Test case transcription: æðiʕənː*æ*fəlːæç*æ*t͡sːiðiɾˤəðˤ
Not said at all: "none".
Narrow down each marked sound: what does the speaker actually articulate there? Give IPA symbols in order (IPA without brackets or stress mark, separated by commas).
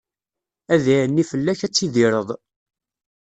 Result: i, æ